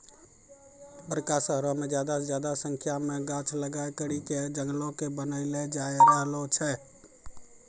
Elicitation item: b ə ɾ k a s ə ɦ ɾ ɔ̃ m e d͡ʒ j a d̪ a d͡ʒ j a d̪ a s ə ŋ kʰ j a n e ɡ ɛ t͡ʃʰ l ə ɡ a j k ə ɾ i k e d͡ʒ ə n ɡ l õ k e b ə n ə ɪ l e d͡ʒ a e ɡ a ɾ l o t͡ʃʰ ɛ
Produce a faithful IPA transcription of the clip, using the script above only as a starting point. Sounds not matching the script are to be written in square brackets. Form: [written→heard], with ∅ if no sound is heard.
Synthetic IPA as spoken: b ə ɾ k a s ə ɦ ɾ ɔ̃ m e d͡ʒ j a d̪ a d͡ʒ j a d̪ a s ə ŋ kʰ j a [n→m] e ɡ [ɛ→a] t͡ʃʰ l ə ɡ a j k ə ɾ i k e d͡ʒ ə [n→ŋ] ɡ l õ k e b ə n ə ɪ l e d͡ʒ a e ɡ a [ɾ→∅] l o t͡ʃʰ ɛ

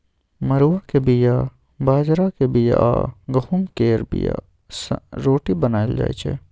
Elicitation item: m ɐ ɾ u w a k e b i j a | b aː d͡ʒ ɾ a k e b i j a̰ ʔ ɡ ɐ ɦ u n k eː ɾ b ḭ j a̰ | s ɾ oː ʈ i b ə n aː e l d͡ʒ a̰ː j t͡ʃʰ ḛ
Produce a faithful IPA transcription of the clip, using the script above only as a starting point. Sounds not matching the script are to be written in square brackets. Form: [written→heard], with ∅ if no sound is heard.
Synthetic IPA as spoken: m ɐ ɾ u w a k e b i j a | b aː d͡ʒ ɾ a k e b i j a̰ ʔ ɡ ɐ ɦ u [n→m] k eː ɾ b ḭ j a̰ | s ɾ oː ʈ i b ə n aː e l d͡ʒ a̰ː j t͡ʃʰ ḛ

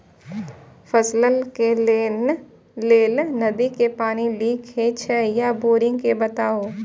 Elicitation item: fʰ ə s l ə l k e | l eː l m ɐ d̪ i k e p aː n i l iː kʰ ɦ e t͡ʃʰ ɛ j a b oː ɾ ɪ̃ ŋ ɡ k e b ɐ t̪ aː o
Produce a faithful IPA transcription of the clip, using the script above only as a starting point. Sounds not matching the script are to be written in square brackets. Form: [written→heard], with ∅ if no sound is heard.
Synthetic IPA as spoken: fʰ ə s l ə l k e | l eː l [m→n] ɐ d̪ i k e p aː n i l iː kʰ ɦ e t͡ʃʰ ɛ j a b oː ɾ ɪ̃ ŋ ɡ k e b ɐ t̪ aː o

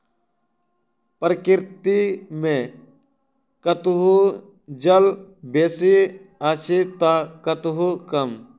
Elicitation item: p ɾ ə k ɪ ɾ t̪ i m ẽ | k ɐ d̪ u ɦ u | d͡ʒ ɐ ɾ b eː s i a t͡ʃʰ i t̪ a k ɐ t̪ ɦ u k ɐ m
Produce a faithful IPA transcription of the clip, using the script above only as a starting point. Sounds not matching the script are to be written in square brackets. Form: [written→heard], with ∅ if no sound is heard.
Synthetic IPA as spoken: p ɾ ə k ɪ ɾ t̪ i m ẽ | k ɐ [d̪→t̪] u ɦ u | d͡ʒ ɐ [ɾ→l] b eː s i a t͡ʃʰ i t̪ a k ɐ t̪ ɦ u k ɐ m

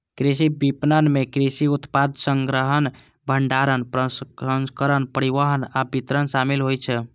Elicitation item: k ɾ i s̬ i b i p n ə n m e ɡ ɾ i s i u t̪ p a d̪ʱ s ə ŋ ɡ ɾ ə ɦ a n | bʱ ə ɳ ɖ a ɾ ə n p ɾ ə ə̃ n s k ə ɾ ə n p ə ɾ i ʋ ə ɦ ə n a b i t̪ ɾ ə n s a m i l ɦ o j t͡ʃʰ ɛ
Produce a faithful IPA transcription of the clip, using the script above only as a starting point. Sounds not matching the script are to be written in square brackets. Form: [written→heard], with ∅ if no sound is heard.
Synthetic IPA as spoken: k ɾ i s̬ i b i p n ə n m e [ɡ→k] ɾ i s i u t̪ p a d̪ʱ s ə ŋ ɡ ɾ ə ɦ [a→ə] n | bʱ ə ɳ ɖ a ɾ ə n p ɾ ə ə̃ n s k ə ɾ ə n p ə ɾ i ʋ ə ɦ ə n a b i t̪ ɾ ə n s a m i l ɦ o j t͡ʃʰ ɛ

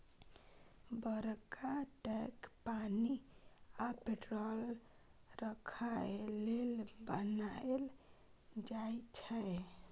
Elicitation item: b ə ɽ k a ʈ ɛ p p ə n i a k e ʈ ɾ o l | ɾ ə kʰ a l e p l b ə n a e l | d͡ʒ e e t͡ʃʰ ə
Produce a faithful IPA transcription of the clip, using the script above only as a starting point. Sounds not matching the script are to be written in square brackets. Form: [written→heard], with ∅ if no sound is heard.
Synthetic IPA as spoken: b ə [ɽ→ɾ] k a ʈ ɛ [p→k] p [ə→a] n i a [k→p] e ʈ ɾ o l | ɾ ə kʰ a l e [p→∅] l b ə n a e l | d͡ʒ [e→a] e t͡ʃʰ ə

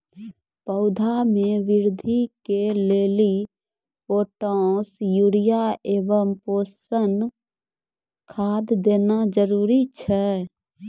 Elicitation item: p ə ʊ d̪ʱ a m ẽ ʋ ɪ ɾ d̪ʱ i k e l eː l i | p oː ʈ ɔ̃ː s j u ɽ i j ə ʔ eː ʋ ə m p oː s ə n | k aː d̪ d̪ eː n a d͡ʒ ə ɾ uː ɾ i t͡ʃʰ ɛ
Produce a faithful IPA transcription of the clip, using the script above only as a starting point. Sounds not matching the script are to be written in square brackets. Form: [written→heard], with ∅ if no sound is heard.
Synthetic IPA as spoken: p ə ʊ d̪ʱ a m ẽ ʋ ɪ ɾ d̪ʱ i k e l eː l i | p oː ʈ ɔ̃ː s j u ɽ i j [ə→a] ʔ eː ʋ ə m p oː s ə n | [k→kʰ] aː d̪ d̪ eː n a d͡ʒ ə ɾ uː ɾ i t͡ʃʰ ɛ

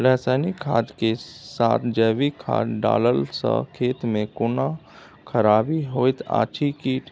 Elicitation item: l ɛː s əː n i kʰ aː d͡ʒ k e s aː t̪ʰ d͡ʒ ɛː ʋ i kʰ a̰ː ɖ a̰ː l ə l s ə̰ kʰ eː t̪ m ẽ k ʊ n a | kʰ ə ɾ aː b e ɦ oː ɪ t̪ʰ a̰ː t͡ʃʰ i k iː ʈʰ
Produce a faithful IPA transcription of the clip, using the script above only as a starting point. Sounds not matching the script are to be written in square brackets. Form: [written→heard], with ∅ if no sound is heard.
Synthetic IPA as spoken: l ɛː s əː n i kʰ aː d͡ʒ k e s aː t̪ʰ d͡ʒ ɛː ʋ i kʰ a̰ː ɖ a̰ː l ə l s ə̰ kʰ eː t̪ m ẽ k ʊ n a | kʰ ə ɾ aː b [e→i] ɦ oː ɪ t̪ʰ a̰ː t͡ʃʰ i k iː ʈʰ

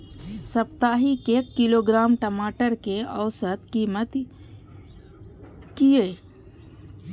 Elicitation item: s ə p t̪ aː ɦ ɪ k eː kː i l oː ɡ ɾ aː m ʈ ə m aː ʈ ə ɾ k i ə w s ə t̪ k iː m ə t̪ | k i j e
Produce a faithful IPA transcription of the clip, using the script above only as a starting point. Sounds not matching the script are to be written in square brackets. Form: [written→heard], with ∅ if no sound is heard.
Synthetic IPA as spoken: s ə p t̪ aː ɦ [ɪ→i] k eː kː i l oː ɡ ɾ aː m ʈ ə m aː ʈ ə ɾ k [i→e] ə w s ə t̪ k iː m ə t̪ | k i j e

